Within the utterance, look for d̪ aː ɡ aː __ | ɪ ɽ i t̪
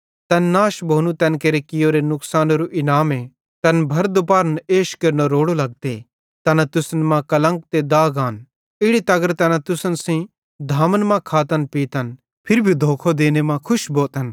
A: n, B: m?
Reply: A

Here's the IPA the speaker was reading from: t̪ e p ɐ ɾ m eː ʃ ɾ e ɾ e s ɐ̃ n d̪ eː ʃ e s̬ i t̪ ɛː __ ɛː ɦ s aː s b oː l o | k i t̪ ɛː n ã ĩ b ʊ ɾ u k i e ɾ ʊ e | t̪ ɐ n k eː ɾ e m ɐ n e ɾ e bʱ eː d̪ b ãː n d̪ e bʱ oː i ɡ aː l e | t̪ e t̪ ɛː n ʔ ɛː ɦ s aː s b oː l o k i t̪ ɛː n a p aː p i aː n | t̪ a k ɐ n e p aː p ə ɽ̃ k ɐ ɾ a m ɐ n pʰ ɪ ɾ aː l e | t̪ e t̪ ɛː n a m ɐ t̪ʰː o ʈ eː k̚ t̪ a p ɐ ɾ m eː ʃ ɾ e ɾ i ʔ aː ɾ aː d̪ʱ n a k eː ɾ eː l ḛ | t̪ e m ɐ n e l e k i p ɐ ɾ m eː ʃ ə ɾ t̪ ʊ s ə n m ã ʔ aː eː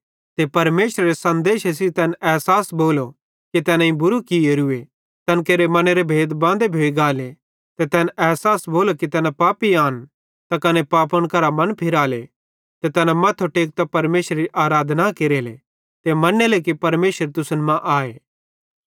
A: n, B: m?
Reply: A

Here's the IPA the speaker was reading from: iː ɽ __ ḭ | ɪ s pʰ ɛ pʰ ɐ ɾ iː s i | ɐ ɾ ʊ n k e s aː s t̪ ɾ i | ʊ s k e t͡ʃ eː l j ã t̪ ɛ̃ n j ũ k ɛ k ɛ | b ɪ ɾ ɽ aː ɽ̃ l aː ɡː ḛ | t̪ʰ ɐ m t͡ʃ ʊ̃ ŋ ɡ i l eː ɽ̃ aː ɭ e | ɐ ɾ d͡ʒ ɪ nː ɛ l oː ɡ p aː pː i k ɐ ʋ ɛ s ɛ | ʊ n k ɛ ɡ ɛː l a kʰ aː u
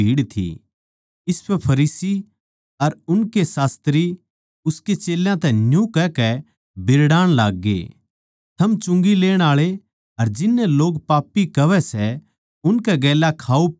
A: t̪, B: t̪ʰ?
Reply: B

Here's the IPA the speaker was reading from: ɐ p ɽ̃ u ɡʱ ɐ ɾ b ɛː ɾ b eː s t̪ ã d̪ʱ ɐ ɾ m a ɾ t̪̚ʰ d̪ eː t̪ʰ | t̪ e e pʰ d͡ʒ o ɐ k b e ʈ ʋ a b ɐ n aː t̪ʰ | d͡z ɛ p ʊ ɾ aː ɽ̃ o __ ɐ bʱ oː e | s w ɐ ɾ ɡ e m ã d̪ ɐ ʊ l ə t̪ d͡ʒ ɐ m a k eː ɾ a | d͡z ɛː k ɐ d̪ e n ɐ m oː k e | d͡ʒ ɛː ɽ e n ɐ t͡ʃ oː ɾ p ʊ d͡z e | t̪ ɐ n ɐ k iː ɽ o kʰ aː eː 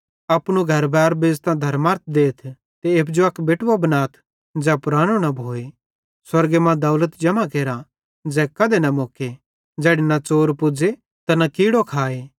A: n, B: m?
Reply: A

